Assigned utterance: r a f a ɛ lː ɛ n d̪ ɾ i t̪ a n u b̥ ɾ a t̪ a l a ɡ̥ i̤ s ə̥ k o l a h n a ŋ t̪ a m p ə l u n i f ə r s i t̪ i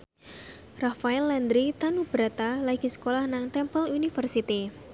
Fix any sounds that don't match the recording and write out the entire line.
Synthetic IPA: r a f a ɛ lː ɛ n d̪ ɾ i t̪ a n u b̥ ɾ a t̪ a l a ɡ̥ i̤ s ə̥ k o l a h n a ŋ t̪ ɛ m p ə l u n i f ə r s i t̪ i